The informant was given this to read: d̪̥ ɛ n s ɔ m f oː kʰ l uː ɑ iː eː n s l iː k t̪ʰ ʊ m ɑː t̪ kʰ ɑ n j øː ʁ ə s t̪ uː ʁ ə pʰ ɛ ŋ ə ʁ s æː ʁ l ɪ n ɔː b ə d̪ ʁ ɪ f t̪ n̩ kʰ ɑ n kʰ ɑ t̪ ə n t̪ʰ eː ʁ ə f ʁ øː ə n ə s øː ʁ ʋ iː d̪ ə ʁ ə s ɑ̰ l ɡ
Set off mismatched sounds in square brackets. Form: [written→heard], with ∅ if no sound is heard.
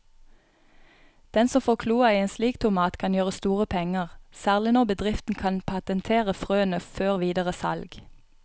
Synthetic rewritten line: d̪̥ ɛ n s ɔ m f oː kʰ l uː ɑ iː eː n s l iː k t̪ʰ ʊ m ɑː t̪ kʰ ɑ n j øː ʁ ə s t̪ uː ʁ ə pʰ ɛ ŋ ə ʁ s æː ʁ l ɪ n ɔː b ə d̪ ʁ ɪ f t̪ n̩ kʰ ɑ n [kʰ→pʰ] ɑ t̪ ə n t̪ʰ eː ʁ ə f ʁ øː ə n ə [s→f] øː ʁ ʋ iː d̪ ə ʁ ə s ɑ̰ l ɡ